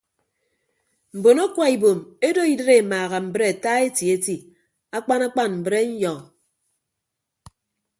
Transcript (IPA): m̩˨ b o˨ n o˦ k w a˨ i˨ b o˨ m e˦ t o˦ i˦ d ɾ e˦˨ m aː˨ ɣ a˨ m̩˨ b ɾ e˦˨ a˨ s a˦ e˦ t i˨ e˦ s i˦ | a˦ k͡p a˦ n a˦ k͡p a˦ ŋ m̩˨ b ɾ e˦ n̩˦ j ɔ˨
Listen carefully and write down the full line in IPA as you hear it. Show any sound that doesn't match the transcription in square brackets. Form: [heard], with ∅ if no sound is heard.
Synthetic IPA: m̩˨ b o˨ n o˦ k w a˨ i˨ b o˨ m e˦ [d] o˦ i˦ d ɾ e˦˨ m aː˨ ɣ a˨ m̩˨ b ɾ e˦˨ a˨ [t] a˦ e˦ t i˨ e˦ [t] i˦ | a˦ k͡p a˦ n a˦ k͡p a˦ [n] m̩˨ b ɾ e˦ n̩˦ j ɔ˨